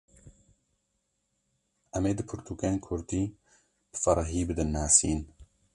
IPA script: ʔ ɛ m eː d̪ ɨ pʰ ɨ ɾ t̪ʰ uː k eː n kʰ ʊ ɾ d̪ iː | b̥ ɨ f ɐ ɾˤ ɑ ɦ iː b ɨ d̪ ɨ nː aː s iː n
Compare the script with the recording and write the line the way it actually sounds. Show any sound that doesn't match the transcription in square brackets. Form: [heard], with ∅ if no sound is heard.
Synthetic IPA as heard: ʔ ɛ m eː d̪ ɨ pʰ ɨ ɾ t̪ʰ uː k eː n kʰ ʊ ɾ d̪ iː | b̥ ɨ f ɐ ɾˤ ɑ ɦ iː b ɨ d̪ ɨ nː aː s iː n